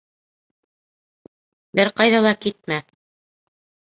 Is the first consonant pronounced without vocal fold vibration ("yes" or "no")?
no